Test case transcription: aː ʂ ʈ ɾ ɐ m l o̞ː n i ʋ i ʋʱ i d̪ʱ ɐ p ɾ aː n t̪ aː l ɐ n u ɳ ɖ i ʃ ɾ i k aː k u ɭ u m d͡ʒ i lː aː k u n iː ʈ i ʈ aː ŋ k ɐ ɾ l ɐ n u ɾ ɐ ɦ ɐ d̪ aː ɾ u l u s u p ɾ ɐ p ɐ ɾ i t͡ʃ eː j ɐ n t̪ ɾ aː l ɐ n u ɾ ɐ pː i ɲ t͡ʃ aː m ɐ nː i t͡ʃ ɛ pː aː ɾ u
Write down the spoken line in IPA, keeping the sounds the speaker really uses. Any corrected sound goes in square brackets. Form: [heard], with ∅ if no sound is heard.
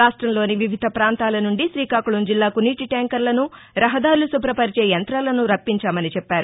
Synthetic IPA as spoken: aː ʂ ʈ ɾ ɐ m l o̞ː n i ʋ i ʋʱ i d̪ʱ ɐ p ɾ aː n t̪ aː l ɐ n u ɳ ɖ i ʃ ɾ [iː] k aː k u ɭ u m d͡ʒ i lː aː k u n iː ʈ i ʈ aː ŋ k ɐ ɾ l ɐ n u ɾ ɐ ɦ ɐ d̪ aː ɾ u l u s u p ɾ ɐ p ɐ ɾ i t͡ʃ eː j ɐ n t̪ ɾ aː l ɐ n u ɾ ɐ pː i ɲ t͡ʃ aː m ɐ [n] i t͡ʃ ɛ pː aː ɾ u